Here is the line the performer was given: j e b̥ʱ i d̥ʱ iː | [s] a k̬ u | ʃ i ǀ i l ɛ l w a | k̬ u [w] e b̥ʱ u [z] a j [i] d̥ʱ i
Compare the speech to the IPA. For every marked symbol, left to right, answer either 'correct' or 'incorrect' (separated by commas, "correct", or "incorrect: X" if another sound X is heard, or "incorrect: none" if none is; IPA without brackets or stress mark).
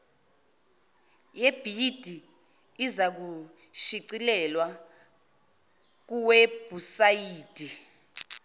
incorrect: z, correct, incorrect: s, incorrect: iː